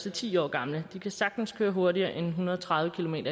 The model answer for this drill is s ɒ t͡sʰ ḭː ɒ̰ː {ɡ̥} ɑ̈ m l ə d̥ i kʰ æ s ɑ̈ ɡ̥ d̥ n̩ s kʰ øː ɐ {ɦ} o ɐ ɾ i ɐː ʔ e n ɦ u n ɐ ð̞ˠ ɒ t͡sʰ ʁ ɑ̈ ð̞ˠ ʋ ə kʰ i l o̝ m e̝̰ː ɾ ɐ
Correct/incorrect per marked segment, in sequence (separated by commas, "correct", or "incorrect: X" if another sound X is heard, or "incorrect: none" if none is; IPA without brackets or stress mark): correct, correct